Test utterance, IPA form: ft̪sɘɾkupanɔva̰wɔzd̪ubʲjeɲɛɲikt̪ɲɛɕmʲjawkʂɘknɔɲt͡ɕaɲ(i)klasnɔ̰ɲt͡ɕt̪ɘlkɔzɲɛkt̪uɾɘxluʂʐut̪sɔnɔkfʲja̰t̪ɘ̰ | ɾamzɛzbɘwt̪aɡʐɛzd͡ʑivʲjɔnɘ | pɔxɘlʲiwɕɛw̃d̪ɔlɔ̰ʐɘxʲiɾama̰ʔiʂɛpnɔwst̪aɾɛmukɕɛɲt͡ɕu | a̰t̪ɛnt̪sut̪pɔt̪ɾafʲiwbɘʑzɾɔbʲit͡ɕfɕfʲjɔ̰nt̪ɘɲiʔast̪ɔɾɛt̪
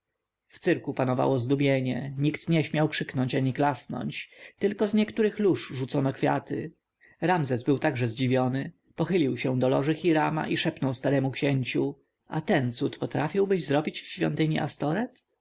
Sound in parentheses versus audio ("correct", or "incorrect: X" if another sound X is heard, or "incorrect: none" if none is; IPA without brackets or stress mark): correct